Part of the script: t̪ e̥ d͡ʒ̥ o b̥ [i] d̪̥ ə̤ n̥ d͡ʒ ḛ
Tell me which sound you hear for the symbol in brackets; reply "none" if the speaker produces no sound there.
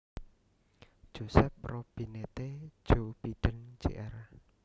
i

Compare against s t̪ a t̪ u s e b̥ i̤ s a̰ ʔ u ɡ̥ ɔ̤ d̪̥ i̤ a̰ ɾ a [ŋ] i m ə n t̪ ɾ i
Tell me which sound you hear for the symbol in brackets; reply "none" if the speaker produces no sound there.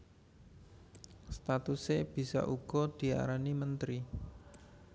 n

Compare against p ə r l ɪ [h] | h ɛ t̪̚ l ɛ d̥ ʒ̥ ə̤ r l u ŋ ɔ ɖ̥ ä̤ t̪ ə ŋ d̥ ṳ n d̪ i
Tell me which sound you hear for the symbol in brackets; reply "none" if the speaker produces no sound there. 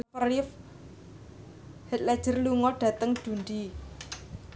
f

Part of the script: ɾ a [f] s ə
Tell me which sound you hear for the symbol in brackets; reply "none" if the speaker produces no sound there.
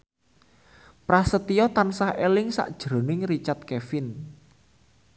none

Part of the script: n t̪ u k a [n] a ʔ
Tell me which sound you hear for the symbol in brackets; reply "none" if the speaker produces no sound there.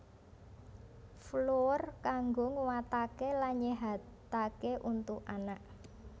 n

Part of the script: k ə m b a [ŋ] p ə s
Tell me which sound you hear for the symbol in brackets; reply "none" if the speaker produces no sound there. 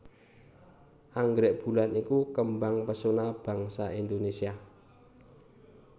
ŋ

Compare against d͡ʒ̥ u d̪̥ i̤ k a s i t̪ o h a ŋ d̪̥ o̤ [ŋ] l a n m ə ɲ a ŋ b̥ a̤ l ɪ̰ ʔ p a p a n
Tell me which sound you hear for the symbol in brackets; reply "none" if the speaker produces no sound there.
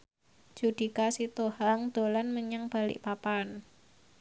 none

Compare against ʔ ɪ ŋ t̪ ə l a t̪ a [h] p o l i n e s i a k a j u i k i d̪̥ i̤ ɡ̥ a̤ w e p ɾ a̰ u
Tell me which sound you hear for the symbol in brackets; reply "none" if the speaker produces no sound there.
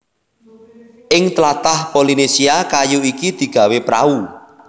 h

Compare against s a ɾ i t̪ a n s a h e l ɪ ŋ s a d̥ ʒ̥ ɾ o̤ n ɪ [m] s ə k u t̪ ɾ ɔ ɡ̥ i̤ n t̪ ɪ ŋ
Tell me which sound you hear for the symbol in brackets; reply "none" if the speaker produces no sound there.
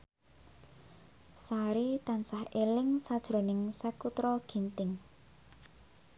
ŋ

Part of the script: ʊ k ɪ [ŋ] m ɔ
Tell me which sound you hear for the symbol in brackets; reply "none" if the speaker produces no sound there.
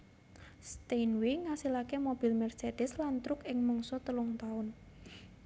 ŋ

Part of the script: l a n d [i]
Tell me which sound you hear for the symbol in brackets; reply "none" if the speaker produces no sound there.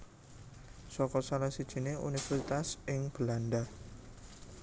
a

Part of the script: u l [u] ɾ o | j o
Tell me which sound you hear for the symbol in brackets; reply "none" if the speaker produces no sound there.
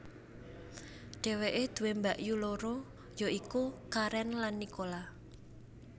o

